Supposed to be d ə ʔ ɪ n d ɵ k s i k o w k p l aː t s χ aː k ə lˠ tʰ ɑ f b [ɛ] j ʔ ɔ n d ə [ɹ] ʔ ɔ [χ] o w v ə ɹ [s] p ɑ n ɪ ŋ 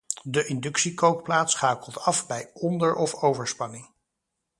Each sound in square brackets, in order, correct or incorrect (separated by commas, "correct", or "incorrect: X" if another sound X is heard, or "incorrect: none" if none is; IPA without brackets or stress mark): correct, correct, incorrect: f, correct